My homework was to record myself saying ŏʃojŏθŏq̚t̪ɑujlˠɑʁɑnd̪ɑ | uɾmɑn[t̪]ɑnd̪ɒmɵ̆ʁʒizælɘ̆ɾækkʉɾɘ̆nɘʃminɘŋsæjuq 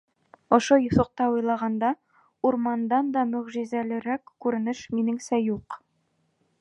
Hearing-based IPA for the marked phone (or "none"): d̪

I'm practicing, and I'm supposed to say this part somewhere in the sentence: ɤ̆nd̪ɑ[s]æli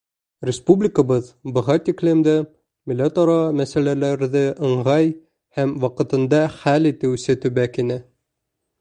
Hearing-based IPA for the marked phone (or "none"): χ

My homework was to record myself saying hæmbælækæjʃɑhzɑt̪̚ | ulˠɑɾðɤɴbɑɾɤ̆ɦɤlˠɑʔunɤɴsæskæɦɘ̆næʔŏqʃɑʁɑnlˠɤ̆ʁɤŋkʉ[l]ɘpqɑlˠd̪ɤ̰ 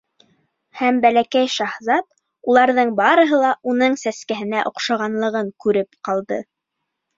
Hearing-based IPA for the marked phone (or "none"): ɾ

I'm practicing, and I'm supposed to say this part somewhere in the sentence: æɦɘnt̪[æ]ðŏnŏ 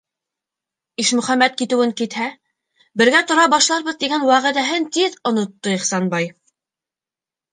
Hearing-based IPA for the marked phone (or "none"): i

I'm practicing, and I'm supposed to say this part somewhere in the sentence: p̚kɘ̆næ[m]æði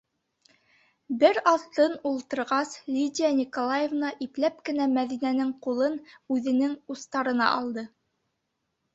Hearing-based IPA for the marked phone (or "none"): m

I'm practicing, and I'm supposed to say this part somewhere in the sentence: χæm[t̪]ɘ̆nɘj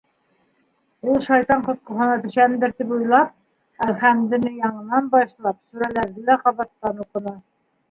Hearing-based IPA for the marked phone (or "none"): d̪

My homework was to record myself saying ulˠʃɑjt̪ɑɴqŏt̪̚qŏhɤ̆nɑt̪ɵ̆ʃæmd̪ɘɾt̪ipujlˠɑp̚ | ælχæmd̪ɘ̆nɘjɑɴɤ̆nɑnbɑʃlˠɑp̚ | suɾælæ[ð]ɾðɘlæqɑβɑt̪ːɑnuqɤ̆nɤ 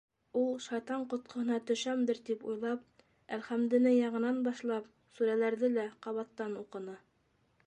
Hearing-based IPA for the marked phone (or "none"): none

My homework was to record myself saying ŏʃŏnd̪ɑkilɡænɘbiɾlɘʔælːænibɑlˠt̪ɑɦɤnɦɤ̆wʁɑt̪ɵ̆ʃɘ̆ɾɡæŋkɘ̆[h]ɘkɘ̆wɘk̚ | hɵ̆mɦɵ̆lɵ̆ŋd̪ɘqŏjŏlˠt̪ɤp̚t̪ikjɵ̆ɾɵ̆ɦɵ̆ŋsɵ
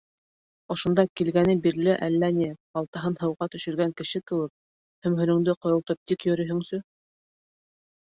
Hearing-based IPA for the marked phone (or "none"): ʃ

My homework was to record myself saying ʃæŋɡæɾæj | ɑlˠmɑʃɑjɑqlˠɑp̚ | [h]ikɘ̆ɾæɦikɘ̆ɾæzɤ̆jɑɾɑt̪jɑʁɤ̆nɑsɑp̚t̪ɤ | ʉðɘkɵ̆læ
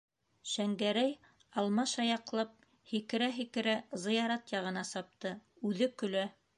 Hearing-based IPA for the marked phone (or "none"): h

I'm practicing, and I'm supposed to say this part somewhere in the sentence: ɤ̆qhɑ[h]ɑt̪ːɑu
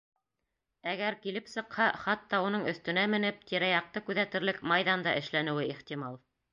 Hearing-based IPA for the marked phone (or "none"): χ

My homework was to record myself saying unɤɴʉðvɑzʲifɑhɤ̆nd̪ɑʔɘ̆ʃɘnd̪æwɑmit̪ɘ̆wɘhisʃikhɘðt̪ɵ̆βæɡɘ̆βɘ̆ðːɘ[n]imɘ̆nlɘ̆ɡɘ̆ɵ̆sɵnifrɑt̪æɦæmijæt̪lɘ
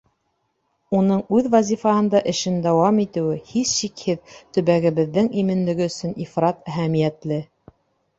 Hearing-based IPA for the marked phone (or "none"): ŋ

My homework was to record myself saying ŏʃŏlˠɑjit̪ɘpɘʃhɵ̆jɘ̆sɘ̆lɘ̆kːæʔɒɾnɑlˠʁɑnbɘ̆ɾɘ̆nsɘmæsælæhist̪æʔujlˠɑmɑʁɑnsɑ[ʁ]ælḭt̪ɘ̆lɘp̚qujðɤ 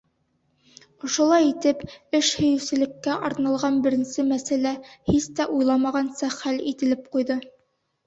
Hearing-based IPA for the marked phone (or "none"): χ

